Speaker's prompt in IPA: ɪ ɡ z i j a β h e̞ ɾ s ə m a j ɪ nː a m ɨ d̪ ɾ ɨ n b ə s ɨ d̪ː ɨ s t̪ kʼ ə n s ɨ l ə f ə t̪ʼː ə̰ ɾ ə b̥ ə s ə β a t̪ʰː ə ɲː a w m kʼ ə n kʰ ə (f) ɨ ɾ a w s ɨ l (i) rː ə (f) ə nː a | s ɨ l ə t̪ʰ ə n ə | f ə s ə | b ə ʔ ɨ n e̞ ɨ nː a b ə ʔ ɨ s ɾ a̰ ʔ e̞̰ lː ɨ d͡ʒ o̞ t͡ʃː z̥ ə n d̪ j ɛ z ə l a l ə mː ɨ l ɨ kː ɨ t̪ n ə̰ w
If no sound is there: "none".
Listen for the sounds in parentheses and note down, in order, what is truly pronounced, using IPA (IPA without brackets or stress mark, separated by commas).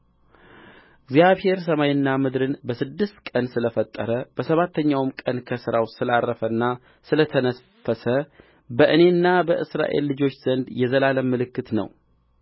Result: s, a, f